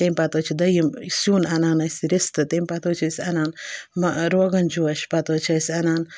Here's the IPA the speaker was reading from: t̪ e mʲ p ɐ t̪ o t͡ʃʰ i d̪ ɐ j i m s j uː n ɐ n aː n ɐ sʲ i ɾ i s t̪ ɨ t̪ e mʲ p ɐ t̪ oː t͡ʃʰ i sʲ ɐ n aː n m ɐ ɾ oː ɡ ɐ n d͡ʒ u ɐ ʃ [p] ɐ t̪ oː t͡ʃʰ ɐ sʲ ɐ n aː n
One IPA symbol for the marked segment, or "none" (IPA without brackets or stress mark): p